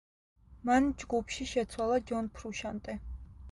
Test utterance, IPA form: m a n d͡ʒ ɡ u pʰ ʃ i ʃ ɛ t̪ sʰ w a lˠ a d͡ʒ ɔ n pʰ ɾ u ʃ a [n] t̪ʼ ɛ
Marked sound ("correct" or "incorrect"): correct